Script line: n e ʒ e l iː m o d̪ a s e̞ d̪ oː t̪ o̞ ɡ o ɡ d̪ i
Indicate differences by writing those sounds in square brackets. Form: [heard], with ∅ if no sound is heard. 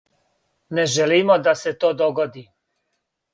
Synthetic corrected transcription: n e ʒ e l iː m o d̪ a s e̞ [t̪] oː [d̪] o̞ ɡ o [∅] d̪ i